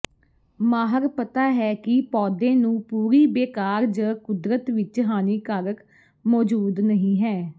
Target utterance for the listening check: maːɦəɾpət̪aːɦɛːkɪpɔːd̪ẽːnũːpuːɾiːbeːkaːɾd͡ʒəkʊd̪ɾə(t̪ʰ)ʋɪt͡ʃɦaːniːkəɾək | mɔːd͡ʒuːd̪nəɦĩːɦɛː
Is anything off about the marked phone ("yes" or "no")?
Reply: yes